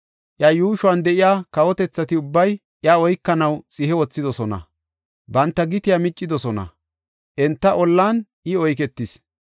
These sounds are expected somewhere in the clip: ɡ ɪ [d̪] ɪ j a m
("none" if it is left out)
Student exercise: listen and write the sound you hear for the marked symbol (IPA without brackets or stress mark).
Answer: t̪